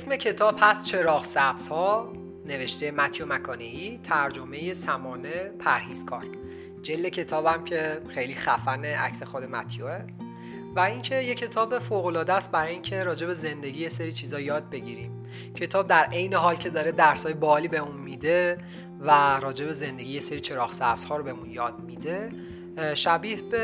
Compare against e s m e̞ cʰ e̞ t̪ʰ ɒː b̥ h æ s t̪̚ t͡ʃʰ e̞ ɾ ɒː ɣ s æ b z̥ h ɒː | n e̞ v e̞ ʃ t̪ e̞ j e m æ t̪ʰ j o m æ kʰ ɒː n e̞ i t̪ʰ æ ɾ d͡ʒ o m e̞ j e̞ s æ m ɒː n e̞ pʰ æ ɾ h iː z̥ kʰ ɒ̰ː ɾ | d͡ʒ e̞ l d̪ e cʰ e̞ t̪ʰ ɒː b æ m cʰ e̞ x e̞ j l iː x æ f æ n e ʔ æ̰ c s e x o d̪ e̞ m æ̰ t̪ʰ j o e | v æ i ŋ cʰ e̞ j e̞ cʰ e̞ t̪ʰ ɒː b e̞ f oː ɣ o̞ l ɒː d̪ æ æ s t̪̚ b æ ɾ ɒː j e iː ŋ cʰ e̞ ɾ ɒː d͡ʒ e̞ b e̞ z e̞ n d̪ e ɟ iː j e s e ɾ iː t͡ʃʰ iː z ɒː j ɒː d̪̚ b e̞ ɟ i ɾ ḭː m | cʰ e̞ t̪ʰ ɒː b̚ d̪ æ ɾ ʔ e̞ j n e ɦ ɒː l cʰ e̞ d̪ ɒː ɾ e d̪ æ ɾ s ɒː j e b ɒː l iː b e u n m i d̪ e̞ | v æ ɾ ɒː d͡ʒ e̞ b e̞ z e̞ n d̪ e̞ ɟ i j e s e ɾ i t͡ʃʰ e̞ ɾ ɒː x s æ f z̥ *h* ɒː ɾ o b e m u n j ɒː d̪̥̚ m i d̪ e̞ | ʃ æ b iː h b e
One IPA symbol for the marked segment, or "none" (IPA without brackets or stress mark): h